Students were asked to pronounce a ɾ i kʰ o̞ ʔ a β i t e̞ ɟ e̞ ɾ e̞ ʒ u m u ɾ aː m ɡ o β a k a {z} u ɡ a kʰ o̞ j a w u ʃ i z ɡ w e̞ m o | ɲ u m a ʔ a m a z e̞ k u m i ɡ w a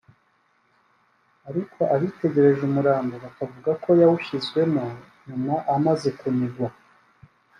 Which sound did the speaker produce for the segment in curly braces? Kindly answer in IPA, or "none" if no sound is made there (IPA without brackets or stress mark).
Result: v